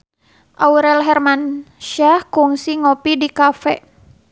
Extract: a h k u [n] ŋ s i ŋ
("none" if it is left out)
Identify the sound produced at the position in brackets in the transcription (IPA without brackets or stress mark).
none